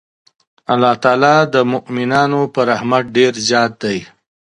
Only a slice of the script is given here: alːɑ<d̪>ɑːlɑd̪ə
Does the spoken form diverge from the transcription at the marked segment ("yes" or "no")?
yes